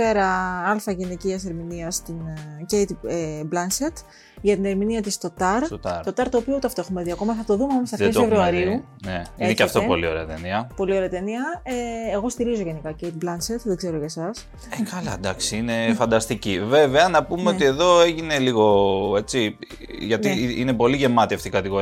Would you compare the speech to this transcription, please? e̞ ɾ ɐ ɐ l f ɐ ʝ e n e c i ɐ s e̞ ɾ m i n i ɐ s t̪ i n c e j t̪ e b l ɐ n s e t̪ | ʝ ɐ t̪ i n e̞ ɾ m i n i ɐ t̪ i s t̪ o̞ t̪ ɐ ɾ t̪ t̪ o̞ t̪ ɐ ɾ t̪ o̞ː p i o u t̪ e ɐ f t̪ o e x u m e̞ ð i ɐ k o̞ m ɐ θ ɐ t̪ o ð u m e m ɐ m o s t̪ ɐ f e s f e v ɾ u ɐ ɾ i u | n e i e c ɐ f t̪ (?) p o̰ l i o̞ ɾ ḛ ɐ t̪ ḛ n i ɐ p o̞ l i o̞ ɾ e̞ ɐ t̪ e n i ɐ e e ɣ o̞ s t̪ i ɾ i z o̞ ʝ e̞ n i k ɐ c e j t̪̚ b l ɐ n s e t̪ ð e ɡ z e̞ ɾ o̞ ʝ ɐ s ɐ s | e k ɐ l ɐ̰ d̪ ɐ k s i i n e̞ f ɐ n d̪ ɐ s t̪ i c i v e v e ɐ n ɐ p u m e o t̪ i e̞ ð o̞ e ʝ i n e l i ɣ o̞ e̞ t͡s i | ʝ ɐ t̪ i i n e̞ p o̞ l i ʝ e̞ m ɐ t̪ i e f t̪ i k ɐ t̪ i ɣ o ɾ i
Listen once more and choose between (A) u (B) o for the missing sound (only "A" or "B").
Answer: B